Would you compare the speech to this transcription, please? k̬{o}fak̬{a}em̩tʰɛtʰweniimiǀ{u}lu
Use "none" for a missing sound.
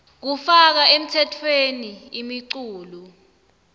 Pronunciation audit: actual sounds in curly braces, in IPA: u, a, uː

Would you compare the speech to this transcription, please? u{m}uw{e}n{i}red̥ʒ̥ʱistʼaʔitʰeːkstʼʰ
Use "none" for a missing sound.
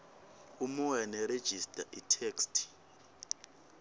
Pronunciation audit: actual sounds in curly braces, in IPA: m, ɛ, ɛ

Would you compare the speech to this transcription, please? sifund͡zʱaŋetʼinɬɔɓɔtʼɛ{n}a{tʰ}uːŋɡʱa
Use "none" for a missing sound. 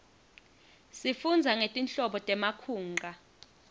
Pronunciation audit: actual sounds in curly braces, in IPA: m, kʰ

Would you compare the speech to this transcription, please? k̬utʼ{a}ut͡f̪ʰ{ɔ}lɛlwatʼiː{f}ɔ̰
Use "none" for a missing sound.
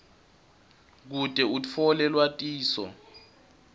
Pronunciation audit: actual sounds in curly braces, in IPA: ɛ, ɔ, s

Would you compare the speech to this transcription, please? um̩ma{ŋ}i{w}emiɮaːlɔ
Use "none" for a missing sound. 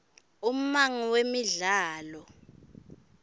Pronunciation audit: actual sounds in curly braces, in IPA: ŋ, w

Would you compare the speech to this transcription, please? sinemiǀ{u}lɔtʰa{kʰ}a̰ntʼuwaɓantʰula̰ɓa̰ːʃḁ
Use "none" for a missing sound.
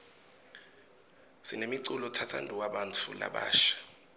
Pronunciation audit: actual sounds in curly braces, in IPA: u, tʰ

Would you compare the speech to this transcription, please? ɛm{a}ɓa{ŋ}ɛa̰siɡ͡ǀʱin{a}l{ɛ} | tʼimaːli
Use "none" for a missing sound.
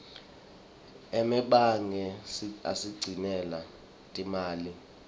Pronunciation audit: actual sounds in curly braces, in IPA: ɛ, ŋ, ɛ, a

